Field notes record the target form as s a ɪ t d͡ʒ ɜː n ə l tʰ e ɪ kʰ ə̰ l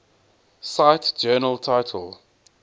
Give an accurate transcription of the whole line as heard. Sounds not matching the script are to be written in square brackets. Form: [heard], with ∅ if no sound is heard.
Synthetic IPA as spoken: s a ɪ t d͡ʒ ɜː n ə l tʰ [a] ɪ [tʰ] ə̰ l